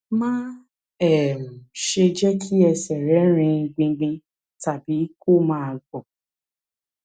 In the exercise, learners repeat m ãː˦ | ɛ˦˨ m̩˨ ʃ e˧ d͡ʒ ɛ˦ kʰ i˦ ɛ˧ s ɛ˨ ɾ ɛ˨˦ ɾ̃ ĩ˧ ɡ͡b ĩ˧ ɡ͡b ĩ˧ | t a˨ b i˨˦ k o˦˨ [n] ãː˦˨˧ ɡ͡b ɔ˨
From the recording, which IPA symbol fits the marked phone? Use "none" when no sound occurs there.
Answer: m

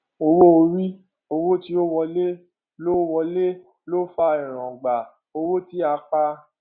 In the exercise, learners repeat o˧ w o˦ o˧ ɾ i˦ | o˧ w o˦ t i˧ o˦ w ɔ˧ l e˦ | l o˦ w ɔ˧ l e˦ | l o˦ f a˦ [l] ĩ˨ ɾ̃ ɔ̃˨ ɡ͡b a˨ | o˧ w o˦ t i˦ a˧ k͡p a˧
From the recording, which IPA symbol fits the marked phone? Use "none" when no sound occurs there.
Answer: none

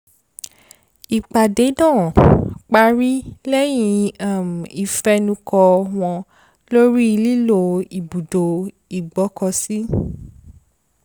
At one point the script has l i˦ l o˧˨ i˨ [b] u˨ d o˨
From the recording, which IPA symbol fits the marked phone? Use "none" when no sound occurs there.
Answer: b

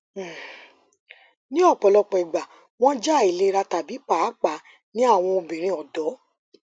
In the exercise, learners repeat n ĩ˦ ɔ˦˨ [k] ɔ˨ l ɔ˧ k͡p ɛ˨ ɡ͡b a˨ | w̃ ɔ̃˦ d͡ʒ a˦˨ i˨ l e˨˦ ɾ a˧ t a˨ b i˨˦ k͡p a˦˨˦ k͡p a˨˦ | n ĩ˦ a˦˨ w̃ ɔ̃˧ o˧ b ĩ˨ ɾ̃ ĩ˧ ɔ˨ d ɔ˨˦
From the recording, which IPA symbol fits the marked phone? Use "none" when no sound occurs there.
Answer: k͡p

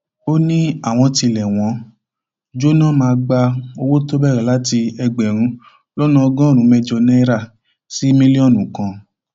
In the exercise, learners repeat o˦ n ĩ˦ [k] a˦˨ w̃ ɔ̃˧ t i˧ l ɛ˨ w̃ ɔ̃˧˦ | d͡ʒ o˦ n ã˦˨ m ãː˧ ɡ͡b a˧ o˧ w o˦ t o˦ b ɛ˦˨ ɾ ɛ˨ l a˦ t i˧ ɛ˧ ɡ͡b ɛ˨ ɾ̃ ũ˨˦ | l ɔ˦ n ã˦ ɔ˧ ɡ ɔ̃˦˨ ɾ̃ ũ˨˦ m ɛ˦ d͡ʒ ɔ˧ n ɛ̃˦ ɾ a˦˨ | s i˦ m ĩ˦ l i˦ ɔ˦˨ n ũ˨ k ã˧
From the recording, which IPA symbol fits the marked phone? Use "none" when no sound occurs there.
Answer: none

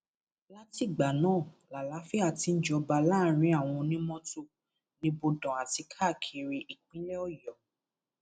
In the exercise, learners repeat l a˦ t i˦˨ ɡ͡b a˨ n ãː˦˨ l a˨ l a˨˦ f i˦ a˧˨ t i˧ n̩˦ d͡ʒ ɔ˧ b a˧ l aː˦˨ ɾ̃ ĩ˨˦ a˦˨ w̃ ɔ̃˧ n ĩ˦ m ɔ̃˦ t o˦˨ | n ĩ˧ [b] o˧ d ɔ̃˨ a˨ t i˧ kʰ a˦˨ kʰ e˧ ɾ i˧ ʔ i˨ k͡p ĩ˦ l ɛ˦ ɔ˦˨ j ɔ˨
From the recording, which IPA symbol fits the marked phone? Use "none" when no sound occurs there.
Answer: b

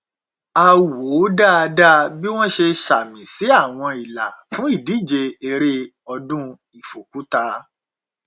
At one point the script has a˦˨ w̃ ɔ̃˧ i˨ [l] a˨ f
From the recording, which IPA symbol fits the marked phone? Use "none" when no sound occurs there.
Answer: l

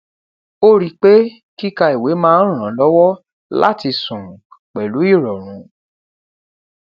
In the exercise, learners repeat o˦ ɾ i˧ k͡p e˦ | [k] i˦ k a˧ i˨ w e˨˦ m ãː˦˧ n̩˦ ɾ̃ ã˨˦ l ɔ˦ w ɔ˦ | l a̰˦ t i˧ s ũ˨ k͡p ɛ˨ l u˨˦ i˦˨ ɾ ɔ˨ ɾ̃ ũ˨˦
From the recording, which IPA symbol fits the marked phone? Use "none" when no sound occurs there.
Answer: k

